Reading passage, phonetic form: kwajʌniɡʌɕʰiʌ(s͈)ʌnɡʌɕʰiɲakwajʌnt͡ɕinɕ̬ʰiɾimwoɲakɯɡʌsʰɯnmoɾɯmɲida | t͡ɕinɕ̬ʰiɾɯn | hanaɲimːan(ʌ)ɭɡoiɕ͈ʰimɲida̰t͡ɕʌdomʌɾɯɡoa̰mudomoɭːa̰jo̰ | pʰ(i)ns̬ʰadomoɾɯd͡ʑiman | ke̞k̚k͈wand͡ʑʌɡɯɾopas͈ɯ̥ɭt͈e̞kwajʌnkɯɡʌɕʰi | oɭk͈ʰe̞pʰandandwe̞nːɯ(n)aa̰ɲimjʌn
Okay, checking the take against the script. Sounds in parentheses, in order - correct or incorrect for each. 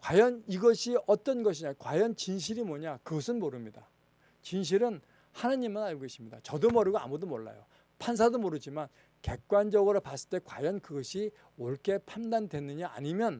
incorrect: t͈, incorrect: a, incorrect: a, incorrect: ɲ

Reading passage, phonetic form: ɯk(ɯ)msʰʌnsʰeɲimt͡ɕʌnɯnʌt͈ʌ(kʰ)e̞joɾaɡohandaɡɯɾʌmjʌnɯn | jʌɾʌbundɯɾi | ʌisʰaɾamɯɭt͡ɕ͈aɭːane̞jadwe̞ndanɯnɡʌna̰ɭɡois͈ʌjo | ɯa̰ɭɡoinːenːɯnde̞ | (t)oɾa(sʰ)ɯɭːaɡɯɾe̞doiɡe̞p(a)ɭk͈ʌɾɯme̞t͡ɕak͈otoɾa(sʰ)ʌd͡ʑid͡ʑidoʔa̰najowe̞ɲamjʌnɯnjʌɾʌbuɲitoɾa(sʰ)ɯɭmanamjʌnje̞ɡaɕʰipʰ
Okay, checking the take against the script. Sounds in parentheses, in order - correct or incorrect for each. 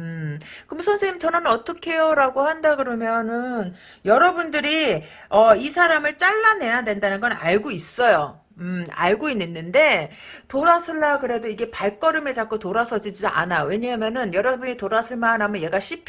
correct, correct, correct, correct, correct, correct, correct

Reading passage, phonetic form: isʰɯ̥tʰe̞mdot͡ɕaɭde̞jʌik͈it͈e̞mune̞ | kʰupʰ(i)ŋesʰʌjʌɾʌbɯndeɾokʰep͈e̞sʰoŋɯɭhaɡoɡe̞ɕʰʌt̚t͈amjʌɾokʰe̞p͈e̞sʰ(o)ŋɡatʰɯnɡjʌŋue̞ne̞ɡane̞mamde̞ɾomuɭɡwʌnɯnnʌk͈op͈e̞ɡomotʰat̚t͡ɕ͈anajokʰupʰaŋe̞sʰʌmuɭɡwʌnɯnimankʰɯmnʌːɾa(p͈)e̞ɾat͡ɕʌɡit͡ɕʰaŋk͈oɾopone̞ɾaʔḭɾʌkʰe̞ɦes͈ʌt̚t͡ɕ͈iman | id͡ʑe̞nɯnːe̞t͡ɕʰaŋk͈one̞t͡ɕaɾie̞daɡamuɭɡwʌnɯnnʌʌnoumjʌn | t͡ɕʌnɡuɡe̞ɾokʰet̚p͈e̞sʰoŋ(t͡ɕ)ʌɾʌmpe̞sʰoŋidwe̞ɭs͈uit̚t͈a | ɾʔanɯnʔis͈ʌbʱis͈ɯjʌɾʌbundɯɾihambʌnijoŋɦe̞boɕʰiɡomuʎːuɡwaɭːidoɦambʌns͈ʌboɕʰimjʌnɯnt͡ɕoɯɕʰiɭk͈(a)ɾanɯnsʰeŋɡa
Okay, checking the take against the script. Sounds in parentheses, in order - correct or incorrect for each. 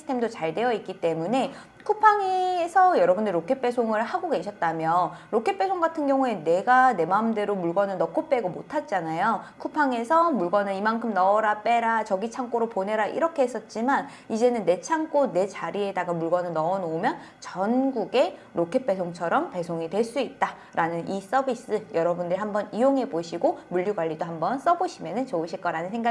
incorrect: a, correct, correct, incorrect: t͡ɕʰ, incorrect: ʌ

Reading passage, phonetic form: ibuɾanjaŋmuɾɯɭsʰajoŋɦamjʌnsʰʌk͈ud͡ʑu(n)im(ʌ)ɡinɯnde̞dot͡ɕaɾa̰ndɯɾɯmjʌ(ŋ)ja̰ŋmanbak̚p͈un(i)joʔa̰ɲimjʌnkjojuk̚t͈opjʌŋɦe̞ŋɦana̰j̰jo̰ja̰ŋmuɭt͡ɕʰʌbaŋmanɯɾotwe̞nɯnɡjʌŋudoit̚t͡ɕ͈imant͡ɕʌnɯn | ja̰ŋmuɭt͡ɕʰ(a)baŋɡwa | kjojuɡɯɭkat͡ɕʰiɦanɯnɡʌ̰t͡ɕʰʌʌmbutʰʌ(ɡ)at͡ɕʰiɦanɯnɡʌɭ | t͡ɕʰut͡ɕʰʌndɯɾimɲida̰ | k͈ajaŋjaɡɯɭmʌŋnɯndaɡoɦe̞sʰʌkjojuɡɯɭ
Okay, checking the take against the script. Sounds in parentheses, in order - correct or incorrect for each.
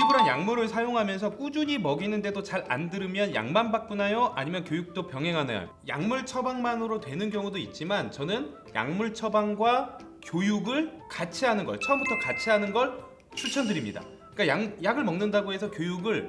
incorrect: ɲ, correct, incorrect: n, incorrect: a, incorrect: ʌ, incorrect: k

